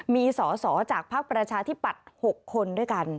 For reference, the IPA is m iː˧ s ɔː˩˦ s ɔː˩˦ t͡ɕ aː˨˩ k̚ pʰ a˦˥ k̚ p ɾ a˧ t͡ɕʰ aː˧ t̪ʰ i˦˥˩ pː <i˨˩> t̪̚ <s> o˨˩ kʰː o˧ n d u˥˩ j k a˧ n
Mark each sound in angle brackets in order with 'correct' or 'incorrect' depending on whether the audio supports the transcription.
incorrect, incorrect

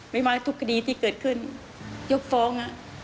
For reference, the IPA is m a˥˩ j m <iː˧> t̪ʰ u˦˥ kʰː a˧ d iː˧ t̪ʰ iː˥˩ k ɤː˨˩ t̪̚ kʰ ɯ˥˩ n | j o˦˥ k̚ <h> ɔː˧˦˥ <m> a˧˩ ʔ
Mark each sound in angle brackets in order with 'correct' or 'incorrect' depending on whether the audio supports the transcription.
incorrect, incorrect, incorrect

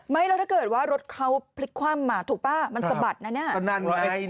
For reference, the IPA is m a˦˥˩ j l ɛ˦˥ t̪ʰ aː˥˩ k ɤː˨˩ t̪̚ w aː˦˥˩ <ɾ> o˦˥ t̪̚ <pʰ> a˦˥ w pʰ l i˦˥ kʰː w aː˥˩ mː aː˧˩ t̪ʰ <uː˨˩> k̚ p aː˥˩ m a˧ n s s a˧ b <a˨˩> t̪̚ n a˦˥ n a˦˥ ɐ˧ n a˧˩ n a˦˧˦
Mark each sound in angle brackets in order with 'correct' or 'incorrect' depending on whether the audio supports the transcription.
correct, incorrect, correct, correct

